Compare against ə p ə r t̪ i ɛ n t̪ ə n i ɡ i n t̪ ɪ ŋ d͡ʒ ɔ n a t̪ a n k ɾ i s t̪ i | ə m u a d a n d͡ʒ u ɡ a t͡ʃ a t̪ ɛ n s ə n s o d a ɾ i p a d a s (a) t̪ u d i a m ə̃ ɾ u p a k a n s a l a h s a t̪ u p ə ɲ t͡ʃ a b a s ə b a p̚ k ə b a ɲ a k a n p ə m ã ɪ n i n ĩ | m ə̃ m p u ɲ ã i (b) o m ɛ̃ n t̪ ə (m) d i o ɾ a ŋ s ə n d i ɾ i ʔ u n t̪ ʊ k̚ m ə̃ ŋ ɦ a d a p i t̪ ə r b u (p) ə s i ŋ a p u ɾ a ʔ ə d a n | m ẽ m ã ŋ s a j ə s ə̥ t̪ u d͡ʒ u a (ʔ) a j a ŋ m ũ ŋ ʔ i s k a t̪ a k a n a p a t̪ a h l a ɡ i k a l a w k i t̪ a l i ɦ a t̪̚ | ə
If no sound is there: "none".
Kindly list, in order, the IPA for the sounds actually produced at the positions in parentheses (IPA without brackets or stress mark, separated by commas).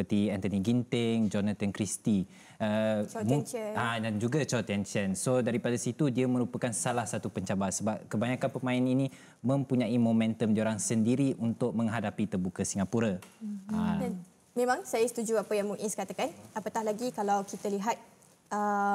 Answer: i, m, m, k, p